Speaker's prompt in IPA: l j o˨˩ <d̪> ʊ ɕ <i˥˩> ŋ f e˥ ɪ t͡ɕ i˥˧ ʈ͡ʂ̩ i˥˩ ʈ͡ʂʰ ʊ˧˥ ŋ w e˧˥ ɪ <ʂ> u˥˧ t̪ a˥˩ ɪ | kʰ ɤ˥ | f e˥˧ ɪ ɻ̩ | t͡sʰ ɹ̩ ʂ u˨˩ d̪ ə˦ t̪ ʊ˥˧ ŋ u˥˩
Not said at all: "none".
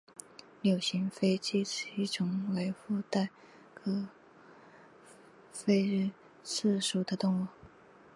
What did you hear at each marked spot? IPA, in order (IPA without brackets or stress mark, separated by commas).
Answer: none, i˧˥, f